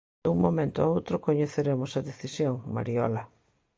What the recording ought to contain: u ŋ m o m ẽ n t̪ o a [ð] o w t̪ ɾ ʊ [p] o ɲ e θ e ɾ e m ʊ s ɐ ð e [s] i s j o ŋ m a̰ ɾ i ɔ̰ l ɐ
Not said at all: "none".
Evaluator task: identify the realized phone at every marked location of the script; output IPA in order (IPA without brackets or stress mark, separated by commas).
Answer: none, k, θ